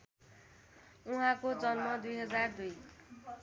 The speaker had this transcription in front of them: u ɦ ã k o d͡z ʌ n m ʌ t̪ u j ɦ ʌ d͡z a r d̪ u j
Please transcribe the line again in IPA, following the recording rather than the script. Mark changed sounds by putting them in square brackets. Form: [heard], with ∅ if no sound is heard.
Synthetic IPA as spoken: u ɦ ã k o d͡z ʌ n m ʌ [d̪] u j ɦ ʌ d͡z a r d̪ u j